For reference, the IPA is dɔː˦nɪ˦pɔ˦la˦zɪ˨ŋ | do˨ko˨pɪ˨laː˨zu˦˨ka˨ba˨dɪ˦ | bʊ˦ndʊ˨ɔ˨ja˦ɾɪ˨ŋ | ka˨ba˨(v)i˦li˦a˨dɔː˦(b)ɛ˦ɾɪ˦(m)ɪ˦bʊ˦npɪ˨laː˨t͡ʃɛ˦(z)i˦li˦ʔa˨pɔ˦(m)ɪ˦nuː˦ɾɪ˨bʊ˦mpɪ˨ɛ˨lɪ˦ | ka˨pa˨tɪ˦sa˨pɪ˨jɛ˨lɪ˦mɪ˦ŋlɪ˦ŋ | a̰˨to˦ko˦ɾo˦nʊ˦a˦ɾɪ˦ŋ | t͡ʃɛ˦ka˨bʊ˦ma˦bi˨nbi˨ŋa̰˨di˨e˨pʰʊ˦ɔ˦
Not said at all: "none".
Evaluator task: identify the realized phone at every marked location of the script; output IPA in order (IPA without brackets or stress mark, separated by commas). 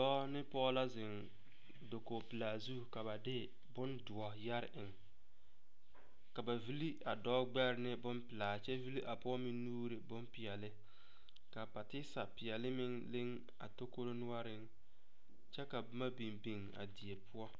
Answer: v, ɡ͡b, n, v, m